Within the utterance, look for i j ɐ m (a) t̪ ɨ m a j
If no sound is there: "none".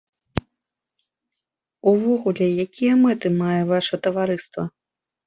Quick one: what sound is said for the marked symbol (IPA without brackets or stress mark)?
ɛ